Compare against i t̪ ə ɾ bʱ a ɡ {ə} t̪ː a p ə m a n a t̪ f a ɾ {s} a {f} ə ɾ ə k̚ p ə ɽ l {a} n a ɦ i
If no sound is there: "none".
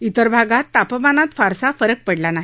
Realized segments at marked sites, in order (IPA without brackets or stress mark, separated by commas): a, s, f, a